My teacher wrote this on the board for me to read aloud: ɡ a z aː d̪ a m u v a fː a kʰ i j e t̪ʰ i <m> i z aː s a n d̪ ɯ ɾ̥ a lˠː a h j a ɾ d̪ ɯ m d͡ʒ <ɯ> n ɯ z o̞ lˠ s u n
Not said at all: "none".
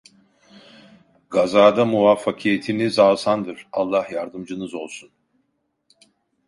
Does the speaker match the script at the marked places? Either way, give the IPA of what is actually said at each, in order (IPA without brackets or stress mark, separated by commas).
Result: n, ɯ